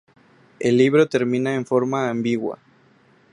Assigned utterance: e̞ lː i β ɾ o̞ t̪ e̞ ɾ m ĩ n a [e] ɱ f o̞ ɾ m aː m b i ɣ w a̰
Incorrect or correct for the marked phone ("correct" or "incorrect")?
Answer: correct